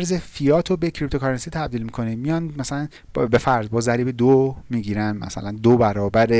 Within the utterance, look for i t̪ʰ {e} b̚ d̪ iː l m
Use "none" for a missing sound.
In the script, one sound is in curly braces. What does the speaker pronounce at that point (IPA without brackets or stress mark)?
æ